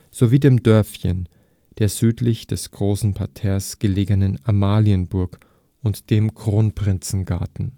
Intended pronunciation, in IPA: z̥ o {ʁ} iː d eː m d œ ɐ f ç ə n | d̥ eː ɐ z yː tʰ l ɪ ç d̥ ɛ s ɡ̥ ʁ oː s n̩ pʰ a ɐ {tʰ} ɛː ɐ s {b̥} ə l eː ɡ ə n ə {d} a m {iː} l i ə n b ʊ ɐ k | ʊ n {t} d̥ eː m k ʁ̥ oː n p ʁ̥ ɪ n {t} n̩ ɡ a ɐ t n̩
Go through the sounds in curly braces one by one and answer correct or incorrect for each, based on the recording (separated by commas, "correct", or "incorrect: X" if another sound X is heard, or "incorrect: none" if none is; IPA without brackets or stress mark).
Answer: incorrect: v, correct, incorrect: ɡ̥, incorrect: n, incorrect: aː, correct, incorrect: t͡s